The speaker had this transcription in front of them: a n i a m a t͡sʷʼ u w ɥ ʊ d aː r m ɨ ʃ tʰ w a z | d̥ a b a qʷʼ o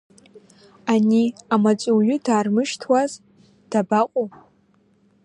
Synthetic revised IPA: a n i a m a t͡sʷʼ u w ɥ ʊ d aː r m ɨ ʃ tʰ w a z | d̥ a b a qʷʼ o